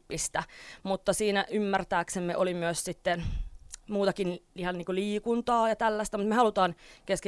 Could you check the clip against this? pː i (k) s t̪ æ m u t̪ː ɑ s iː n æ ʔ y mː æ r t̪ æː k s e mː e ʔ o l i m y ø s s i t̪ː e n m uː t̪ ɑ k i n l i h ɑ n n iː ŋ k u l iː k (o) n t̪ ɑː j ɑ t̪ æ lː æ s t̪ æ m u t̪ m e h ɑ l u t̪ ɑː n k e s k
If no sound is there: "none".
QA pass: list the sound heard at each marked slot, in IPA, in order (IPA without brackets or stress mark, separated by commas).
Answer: none, u